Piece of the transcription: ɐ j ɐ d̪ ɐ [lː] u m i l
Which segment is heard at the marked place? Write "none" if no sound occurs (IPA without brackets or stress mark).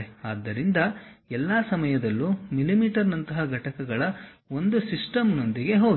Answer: lː